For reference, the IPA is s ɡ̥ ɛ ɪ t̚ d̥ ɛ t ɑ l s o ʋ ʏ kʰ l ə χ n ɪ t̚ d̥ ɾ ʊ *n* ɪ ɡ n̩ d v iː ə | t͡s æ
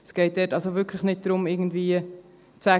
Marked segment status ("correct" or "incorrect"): incorrect